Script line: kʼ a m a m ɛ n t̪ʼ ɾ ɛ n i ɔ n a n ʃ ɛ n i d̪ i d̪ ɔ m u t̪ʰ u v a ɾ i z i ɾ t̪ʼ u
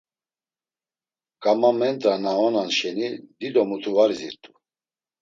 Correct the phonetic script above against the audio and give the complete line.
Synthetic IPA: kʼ a m a m ɛ n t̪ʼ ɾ a n a ɔ n a n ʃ ɛ n i d̪ i d̪ ɔ m u t̪ʰ u v a ɾ i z i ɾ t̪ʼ u